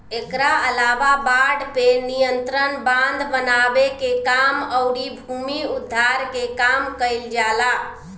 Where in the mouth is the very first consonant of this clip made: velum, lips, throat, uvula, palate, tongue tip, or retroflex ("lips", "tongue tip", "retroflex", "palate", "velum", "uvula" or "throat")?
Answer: velum